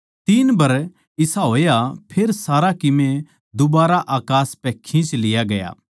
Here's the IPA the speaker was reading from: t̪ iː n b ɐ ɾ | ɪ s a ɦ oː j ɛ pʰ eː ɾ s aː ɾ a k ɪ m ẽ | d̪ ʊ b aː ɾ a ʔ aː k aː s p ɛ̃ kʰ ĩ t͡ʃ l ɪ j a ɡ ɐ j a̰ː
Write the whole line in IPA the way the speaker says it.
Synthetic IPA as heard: t̪ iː n b ɐ ɾ | ɪ s a ɦ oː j a pʰ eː ɾ s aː ɾ a k ɪ m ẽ | d̪ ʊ b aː ɾ a ʔ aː k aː s p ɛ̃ kʰ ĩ t͡ʃ l ɪ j a ɡ ɐ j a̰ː